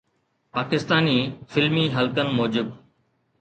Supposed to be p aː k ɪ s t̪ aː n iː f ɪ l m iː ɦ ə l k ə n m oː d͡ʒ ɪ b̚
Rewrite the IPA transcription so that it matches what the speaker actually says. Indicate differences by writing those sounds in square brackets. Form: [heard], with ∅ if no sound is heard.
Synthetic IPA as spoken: p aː k ɪ s t̪ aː n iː f ɪ l m iː ɦ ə l k ə n m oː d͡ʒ ɪ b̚